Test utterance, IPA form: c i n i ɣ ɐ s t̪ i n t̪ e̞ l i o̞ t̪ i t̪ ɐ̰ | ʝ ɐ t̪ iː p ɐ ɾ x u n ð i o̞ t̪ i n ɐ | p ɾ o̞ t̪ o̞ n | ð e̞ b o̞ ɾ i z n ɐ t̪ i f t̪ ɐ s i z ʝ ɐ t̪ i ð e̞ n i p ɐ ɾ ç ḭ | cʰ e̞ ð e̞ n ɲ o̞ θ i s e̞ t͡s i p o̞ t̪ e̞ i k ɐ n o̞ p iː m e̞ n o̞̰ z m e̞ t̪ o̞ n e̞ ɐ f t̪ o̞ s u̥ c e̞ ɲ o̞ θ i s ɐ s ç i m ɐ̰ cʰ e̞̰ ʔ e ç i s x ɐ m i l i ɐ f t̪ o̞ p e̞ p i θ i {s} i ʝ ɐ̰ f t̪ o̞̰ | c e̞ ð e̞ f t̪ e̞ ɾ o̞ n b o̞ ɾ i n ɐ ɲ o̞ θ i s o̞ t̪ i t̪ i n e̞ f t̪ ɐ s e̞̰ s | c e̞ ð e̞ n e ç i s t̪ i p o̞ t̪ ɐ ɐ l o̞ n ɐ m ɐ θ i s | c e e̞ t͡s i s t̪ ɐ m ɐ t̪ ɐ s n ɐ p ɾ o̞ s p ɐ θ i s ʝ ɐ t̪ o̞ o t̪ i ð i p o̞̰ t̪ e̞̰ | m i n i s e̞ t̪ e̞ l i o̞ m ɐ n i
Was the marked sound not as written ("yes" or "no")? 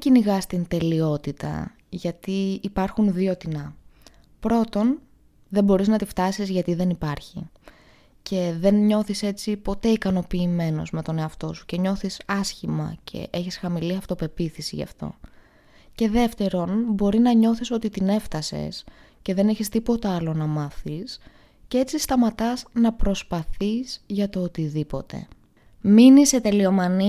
no